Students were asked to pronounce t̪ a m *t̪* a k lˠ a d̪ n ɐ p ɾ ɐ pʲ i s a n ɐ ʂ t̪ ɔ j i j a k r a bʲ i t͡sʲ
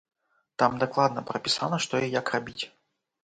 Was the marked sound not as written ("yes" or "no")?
yes